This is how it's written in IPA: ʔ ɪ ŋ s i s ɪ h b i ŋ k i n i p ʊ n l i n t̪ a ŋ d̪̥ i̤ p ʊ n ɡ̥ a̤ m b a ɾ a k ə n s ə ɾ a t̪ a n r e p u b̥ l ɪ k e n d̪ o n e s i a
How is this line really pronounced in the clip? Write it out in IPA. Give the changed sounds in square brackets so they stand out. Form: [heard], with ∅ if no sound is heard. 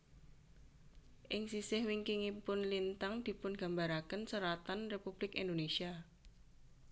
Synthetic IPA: ʔ ɪ ŋ s i s ɪ h [w] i ŋ k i [ŋ] i p ʊ n l i n t̪ a ŋ d̪̥ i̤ p ʊ n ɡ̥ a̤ m b a ɾ a k ə n s ə ɾ a t̪ a n r e p u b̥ l ɪ k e n d̪ o n e s i a